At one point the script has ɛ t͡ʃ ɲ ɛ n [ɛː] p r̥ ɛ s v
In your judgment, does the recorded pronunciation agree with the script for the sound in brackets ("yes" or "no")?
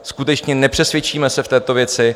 no